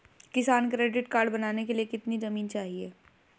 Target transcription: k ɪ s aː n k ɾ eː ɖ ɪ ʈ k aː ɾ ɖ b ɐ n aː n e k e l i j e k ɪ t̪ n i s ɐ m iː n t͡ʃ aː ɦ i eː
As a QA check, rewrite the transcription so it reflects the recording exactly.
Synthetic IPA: k ɪ s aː n k ɾ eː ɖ ɪ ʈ k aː ɾ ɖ b ɐ n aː n e k e l i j e k ɪ t̪ n i z ɐ m iː n t͡ʃ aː ɦ i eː